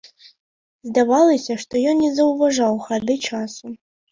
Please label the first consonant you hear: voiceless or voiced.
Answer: voiced